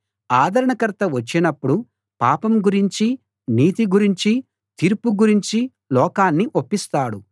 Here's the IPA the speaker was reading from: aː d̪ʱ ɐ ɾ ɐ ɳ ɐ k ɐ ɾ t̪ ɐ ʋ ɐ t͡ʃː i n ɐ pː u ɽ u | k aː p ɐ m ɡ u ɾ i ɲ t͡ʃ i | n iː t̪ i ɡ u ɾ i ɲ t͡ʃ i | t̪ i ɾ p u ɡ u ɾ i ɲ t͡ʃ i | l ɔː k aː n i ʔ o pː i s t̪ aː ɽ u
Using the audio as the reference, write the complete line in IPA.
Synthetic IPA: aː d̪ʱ ɐ ɾ ɐ ɳ ɐ k ɐ ɾ t̪ ɐ ʋ ɐ t͡ʃː i n ɐ pː u ɽ u | p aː p ɐ m ɡ u ɾ i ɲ t͡ʃ i | n iː t̪ i ɡ u ɾ i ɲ t͡ʃ i | t̪ i ɾ p u ɡ u ɾ i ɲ t͡ʃ i | l ɔː k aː nː i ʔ o pː i s t̪ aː ɽ u